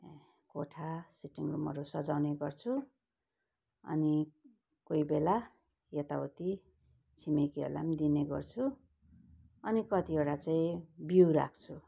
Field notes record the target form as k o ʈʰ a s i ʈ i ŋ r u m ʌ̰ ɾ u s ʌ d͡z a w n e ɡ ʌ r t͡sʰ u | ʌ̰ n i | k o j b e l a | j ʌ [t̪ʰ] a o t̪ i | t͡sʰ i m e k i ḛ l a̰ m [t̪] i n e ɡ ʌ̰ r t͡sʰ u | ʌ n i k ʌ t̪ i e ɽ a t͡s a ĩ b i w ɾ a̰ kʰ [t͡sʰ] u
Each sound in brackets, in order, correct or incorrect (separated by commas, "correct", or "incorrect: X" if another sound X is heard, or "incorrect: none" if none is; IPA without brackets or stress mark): incorrect: t̪, incorrect: d̪, correct